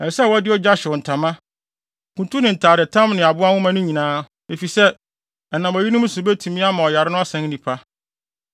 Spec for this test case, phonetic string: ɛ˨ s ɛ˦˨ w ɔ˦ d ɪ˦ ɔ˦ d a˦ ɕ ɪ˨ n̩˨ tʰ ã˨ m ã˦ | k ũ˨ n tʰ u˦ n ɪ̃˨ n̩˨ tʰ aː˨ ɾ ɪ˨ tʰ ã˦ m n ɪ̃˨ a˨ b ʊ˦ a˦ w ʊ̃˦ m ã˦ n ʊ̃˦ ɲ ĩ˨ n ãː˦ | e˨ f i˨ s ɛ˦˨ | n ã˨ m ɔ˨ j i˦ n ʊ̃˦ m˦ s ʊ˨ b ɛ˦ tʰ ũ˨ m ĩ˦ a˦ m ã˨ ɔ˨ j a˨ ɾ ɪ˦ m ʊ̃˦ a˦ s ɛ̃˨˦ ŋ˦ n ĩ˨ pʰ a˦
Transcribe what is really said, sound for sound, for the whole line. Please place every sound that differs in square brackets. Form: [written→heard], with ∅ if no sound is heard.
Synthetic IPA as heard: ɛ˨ s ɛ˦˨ w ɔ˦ d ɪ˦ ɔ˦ [d→d͡ʑ] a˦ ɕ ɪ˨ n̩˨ tʰ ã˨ m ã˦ | k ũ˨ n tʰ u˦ n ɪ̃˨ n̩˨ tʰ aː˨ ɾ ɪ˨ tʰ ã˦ m n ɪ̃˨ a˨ b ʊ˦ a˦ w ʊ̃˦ m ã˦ n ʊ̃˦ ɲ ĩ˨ n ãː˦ | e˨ f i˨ s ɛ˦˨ | n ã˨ m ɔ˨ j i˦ n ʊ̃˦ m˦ s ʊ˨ b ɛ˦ tʰ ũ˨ m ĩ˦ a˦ m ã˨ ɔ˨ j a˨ ɾ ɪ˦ [m→n] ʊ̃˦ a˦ s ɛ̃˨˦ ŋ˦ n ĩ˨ pʰ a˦

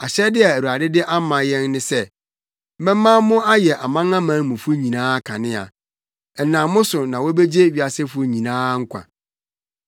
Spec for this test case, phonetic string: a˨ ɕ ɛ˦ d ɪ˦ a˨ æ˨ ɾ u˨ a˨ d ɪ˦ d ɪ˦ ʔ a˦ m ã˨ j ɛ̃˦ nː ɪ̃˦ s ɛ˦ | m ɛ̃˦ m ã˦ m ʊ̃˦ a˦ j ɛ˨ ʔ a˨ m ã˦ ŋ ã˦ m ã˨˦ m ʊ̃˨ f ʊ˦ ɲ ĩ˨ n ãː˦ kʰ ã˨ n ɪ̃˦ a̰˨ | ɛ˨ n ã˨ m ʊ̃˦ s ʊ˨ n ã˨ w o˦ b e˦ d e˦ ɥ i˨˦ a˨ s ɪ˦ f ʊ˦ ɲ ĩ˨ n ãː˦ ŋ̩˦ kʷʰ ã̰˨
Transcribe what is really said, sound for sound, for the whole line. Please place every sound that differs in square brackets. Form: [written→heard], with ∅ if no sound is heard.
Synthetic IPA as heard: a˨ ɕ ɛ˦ d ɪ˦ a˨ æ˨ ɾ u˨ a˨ d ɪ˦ d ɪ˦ ʔ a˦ m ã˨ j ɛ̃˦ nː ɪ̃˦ s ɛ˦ | m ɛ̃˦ m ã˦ m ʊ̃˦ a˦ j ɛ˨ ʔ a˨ m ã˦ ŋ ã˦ m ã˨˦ m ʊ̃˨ f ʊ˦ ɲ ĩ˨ n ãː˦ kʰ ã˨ n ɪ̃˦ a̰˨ | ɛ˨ n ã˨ m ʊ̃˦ s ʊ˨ n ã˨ w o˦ b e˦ [d→d͡ʑ] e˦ ɥ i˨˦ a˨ s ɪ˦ f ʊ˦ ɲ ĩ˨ n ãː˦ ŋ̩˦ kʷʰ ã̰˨

